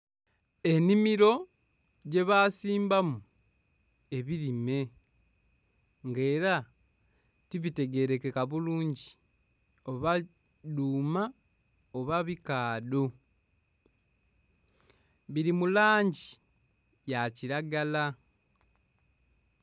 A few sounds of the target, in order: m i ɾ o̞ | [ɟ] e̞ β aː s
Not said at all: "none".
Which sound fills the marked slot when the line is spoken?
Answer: ɟ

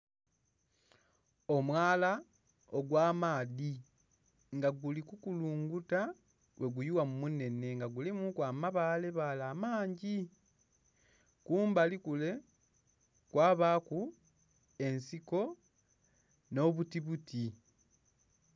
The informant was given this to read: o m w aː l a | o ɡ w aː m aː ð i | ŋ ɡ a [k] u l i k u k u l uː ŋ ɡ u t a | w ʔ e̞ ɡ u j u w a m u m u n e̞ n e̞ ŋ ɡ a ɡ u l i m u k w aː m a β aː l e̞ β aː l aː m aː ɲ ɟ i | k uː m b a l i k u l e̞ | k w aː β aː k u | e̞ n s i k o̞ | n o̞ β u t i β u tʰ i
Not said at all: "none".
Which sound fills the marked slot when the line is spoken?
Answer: ɡ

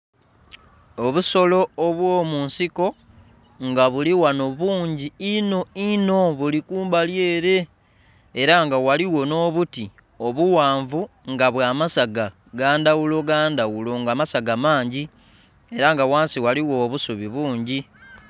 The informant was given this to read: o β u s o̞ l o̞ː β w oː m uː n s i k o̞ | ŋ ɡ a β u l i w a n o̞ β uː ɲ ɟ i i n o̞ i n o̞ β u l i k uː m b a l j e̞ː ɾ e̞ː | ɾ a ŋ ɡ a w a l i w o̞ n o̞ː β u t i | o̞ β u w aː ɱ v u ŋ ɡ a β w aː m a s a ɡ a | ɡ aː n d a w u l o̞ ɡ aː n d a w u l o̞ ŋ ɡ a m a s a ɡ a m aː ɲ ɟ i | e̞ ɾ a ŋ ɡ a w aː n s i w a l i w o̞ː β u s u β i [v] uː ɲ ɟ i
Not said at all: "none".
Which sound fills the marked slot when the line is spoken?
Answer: β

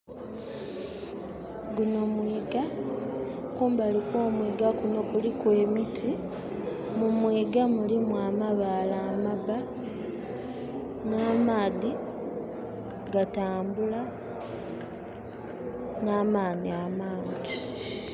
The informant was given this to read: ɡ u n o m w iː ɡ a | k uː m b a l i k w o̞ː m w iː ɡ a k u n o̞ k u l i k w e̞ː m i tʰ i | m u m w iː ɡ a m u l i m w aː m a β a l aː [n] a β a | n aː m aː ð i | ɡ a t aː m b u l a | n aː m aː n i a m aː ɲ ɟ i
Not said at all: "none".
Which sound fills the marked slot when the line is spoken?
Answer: m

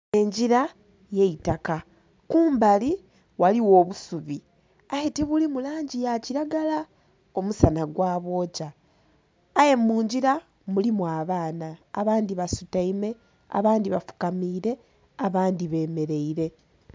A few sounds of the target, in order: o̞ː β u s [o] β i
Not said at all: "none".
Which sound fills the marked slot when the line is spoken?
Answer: u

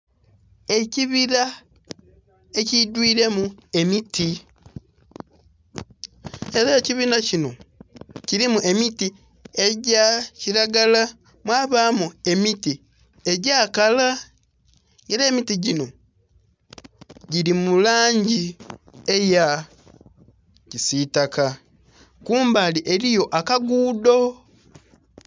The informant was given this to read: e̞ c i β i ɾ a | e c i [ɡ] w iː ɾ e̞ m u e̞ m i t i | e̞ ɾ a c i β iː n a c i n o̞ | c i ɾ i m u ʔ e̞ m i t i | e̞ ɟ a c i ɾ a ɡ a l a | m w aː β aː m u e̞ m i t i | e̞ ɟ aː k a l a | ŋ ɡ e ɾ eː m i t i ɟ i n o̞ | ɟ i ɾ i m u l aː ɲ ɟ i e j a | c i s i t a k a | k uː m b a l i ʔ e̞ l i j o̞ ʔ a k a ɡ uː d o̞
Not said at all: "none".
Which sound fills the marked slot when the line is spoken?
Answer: d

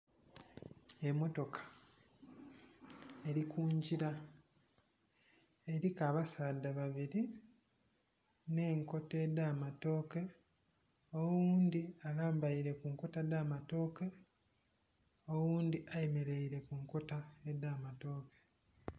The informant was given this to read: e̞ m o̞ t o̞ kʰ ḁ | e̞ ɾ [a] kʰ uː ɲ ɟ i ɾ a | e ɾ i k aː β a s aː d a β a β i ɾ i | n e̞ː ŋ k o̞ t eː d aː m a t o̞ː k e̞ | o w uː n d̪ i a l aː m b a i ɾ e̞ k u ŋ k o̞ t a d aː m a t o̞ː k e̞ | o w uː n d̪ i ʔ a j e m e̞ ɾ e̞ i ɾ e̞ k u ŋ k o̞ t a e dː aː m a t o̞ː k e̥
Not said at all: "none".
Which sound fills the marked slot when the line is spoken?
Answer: i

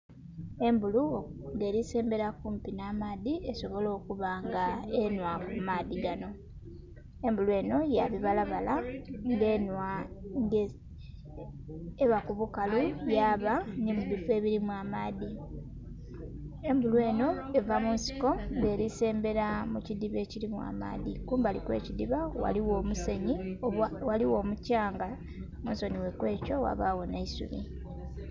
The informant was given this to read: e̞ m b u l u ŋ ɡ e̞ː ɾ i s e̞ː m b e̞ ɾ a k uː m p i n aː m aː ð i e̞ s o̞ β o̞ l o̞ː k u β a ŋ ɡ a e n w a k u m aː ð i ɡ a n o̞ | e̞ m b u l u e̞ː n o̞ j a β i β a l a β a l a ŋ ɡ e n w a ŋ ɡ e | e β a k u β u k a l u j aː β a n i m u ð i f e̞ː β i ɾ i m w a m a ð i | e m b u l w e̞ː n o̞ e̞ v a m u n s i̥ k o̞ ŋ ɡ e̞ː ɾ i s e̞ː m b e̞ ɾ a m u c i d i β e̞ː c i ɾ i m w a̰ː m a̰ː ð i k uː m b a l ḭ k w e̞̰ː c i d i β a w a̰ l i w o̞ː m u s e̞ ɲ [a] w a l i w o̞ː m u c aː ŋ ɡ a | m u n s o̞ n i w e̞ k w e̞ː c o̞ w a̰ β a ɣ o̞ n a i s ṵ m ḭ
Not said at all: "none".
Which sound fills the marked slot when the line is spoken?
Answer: i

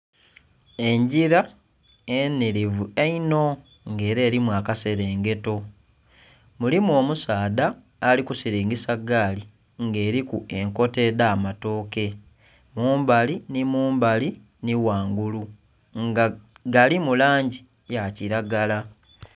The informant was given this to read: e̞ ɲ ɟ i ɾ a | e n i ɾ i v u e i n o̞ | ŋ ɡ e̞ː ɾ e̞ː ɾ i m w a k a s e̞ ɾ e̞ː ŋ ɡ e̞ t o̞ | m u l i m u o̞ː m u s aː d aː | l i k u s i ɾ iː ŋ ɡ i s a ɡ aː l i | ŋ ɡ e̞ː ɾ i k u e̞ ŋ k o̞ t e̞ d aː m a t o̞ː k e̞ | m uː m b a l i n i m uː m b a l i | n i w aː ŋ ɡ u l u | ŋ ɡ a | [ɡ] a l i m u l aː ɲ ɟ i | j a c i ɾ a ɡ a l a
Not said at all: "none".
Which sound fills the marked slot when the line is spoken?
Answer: ɡ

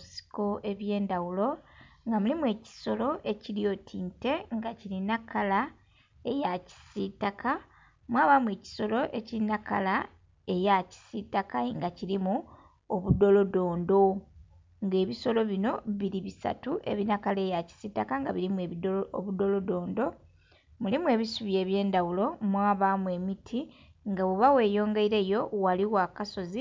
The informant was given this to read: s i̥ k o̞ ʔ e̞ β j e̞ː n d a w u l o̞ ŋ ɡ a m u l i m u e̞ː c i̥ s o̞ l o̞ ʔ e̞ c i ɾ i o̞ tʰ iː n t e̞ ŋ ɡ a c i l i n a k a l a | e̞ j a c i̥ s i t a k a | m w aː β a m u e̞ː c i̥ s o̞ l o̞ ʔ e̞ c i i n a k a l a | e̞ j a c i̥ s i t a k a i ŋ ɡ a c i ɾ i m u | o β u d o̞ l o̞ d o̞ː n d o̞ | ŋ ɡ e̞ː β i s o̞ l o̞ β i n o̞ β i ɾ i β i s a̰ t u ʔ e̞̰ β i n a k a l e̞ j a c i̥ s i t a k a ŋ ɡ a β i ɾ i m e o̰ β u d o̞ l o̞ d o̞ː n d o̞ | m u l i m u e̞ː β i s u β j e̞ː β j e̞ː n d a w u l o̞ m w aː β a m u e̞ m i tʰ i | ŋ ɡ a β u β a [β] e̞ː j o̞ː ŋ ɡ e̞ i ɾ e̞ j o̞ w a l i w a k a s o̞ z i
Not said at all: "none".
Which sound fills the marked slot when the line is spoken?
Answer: w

